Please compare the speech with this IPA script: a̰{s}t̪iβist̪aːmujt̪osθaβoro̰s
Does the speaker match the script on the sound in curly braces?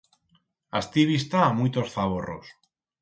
yes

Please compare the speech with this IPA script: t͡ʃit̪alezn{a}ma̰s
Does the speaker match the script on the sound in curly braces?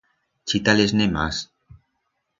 no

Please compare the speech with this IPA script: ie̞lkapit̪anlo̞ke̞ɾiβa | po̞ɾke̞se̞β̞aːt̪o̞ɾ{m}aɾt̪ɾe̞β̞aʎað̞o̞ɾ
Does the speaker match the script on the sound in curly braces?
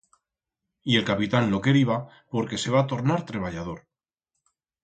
no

